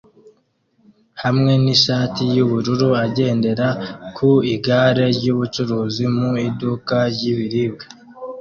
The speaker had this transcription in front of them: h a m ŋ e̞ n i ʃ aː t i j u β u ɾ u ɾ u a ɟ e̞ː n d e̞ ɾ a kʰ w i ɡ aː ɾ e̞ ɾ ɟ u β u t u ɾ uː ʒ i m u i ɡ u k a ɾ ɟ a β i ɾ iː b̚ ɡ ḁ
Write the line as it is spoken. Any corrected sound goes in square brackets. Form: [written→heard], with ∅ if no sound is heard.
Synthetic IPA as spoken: h a m ŋ e̞ n i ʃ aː t i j u β u ɾ u ɾ u a ɟ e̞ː n d e̞ ɾ a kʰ [w→u] i ɡ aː ɾ e̞ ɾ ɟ u β u [t→t͡ʃ] u ɾ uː [ʒ→z] i m u i [ɡ→d] u k a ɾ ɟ [a→i] β i ɾ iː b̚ ɡ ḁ